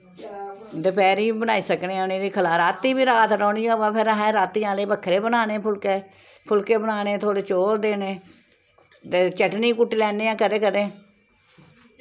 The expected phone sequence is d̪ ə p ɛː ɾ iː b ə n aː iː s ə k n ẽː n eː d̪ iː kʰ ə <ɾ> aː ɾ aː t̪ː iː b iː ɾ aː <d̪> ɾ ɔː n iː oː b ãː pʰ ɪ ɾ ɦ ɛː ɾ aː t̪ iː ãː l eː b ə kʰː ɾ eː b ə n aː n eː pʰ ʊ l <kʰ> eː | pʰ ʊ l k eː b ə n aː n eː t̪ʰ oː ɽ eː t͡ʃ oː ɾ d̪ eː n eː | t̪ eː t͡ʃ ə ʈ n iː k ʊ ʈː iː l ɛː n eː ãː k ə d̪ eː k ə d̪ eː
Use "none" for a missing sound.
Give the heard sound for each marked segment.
l, t̪, k

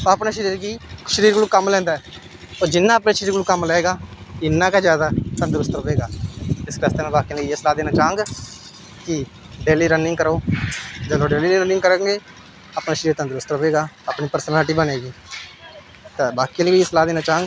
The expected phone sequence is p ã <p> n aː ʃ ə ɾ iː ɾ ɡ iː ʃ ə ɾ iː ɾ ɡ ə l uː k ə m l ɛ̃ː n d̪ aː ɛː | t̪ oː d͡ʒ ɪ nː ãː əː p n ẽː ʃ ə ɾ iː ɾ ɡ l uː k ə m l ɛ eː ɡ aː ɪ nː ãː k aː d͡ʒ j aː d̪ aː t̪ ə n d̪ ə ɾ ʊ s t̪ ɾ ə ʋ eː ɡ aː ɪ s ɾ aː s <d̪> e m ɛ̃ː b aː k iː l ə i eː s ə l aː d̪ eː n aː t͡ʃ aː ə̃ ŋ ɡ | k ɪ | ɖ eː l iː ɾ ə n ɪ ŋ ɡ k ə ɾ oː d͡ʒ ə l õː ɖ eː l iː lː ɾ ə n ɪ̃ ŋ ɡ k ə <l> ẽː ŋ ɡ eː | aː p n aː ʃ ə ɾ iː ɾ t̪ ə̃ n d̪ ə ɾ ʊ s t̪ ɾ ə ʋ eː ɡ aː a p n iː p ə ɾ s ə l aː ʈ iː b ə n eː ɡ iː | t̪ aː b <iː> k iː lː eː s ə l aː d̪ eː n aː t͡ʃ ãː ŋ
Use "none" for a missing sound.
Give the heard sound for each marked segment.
p, t̪, ɾ, aː

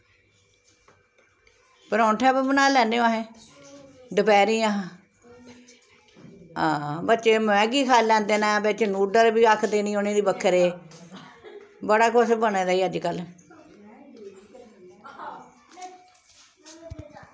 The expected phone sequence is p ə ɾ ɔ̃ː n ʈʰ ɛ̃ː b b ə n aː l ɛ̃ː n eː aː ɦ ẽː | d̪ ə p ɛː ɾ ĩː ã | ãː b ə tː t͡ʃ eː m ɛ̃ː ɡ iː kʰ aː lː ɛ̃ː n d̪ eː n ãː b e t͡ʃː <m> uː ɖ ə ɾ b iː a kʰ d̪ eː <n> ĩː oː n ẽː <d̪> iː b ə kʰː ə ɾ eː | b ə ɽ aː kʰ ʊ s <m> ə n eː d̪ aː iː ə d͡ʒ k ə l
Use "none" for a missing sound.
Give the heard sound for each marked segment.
n, n, d̪, b

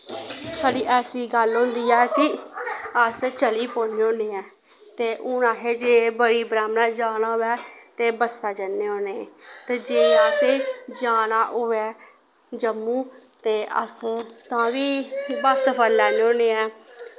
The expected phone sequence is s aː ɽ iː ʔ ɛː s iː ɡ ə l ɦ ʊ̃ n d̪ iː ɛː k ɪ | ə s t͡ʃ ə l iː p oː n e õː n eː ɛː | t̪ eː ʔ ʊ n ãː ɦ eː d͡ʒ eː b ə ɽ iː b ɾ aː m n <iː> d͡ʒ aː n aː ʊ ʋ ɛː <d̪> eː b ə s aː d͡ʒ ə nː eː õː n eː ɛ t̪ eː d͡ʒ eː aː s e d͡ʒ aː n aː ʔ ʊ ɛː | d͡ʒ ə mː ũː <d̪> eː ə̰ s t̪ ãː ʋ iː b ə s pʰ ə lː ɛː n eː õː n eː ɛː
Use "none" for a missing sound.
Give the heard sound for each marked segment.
aː, t̪, t̪

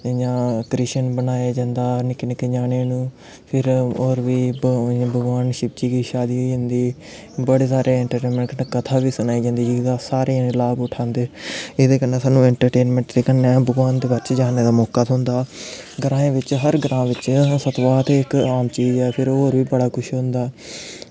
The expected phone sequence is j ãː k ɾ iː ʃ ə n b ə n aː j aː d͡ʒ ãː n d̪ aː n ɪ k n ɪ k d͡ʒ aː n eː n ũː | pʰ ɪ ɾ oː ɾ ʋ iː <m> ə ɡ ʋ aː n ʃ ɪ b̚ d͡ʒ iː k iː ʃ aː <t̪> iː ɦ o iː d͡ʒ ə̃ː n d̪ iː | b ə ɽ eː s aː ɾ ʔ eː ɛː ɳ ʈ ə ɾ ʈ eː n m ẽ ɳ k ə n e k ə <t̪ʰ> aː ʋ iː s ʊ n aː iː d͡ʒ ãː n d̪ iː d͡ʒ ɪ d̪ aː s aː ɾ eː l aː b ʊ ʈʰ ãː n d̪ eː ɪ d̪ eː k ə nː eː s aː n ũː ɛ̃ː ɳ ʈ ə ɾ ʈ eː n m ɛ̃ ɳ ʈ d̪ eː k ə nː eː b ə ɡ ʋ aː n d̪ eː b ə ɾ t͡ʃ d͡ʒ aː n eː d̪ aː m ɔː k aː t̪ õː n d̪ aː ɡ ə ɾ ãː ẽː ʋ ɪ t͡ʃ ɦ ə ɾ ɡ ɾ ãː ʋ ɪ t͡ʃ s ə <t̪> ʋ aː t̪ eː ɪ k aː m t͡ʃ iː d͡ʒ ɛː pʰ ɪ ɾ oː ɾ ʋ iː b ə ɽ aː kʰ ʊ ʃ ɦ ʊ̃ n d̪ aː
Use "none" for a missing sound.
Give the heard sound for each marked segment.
b, d̪, t̪ʰ, t̪

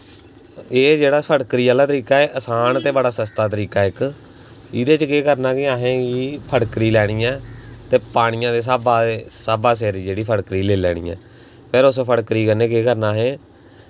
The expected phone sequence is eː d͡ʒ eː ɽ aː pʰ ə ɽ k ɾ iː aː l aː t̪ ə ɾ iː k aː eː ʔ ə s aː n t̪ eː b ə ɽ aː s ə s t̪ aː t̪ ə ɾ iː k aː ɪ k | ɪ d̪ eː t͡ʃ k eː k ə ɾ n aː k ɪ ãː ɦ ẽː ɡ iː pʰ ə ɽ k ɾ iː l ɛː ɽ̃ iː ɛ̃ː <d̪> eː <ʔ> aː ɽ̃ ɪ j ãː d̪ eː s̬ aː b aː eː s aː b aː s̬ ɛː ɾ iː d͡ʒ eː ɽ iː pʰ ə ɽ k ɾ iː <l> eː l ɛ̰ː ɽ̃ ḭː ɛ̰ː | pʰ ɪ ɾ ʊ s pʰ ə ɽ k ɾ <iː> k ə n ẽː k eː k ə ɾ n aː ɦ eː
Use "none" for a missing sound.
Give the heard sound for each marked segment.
t̪, p, l, iː

